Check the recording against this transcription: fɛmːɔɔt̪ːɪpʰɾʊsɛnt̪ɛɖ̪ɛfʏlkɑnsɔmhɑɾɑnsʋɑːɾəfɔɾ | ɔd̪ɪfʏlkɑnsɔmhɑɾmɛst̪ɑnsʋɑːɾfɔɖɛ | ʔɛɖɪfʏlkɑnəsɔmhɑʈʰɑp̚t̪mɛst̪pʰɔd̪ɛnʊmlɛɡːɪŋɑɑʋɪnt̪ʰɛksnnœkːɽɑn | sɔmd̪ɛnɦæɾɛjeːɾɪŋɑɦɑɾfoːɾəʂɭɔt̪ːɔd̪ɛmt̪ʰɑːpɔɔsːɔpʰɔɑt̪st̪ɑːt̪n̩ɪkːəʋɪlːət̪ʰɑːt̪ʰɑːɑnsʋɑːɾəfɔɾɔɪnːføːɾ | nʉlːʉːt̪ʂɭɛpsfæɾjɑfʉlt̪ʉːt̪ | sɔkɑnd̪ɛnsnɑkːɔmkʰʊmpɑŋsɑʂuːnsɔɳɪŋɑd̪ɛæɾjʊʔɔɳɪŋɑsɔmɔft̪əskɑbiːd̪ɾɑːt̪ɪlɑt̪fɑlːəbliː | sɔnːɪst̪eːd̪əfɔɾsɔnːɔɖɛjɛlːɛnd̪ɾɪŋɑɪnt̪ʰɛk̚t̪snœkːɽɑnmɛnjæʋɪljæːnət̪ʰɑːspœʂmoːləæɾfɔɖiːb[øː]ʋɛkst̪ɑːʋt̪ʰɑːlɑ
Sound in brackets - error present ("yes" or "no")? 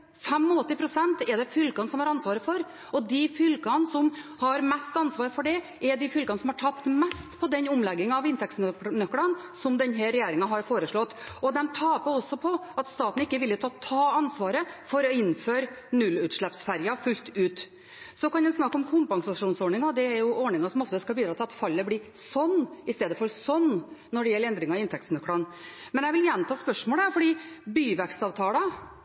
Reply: yes